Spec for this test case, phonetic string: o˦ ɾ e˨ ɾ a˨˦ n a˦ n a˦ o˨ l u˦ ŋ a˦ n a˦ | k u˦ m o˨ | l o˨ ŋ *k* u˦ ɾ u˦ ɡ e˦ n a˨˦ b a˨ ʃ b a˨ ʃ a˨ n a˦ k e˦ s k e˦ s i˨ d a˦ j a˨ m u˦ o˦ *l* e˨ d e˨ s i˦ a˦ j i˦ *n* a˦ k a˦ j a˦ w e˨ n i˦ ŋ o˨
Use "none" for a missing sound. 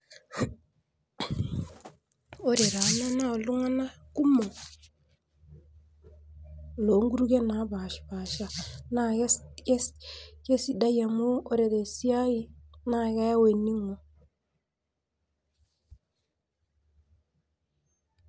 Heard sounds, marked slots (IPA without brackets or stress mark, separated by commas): ɡ, ɾ, n